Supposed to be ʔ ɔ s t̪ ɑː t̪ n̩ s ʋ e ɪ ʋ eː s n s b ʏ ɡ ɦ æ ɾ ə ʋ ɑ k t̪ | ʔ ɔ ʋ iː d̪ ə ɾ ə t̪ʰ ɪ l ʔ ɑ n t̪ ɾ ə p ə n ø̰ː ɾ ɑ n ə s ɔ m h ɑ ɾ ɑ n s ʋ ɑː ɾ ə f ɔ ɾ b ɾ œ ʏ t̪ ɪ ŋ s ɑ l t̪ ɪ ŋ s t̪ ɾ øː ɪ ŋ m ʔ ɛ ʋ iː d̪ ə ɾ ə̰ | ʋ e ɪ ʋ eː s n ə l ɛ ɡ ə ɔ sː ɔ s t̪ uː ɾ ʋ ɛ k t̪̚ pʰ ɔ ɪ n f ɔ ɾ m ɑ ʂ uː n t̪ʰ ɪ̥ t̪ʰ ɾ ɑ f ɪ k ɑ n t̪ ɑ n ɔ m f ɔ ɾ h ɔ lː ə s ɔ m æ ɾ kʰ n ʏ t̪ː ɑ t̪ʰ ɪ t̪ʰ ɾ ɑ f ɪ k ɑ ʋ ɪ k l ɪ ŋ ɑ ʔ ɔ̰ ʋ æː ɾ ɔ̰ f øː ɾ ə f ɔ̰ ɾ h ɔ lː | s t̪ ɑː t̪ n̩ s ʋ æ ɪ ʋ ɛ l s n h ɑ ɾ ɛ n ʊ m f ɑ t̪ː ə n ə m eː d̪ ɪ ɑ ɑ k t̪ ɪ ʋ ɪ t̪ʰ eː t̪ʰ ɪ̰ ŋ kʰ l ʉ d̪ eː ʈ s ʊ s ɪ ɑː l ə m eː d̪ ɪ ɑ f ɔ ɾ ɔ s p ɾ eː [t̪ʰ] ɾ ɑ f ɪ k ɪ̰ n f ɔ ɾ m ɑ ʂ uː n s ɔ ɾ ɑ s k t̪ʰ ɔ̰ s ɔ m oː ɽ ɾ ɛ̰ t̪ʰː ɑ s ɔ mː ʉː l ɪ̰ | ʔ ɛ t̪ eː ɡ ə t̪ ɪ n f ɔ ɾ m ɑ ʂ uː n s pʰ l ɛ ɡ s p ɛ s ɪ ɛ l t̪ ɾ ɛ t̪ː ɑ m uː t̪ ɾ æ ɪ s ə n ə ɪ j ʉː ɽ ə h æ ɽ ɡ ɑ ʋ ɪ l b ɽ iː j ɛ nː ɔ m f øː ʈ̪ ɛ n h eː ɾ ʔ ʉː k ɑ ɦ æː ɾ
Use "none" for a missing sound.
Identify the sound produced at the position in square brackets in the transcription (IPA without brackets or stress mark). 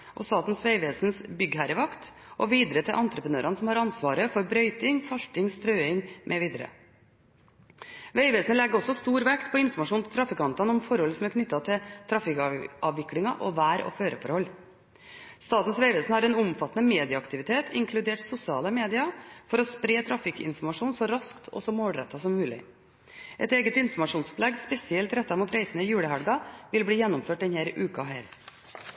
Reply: t̪ʰ